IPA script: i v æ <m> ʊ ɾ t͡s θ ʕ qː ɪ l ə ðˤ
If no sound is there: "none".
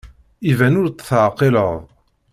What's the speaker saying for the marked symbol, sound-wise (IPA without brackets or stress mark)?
n